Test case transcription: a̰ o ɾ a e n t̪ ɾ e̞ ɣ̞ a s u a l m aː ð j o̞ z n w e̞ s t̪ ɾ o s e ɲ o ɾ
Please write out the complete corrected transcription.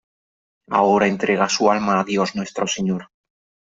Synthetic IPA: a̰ o ɾ a e n t̪ ɾ e̞ ɣ̞ a s u a l m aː ð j o̞ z n w e̞ s t̪ ɾ o s e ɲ o ɾ